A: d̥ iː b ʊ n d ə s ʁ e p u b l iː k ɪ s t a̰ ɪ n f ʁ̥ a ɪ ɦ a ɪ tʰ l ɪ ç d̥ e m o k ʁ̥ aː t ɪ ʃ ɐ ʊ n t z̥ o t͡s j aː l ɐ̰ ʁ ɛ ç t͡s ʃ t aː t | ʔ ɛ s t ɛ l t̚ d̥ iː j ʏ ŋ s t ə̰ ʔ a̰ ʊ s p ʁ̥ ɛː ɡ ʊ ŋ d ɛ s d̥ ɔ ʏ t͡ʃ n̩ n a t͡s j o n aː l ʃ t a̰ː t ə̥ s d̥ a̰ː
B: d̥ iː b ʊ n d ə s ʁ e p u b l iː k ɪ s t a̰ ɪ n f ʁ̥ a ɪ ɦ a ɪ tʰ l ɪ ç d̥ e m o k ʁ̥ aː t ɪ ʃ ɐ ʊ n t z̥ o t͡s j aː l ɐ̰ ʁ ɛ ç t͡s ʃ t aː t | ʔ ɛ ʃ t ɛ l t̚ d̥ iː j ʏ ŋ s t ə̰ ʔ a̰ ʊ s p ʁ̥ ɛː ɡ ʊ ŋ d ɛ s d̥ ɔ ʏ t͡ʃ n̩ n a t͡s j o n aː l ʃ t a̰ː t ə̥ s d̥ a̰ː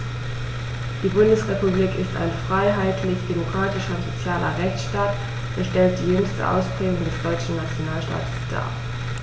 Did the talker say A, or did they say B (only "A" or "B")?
B